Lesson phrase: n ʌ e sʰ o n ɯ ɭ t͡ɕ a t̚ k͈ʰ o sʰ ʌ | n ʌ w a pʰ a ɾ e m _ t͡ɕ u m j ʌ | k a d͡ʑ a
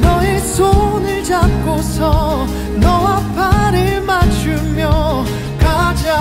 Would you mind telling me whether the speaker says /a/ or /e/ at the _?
a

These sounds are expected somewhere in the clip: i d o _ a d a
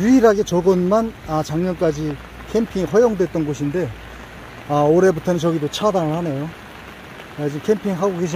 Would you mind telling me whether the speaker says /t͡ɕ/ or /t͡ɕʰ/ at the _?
t͡ɕʰ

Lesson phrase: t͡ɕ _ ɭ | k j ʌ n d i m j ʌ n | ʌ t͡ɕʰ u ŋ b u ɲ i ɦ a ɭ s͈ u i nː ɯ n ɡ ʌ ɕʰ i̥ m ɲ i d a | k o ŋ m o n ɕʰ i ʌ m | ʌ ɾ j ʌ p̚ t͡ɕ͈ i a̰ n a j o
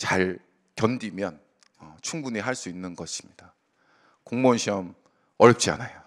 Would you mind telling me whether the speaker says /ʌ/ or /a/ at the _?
a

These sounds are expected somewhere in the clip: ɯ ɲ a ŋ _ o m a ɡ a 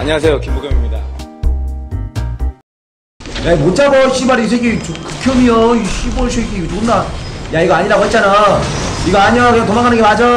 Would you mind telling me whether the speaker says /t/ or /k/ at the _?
t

